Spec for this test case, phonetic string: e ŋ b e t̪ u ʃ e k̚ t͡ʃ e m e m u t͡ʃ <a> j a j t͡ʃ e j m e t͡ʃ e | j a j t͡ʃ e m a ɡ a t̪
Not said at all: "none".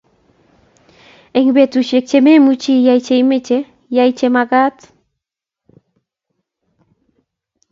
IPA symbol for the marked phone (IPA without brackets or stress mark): i